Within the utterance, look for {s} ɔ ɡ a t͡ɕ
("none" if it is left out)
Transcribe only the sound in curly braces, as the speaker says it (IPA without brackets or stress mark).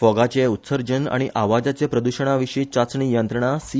f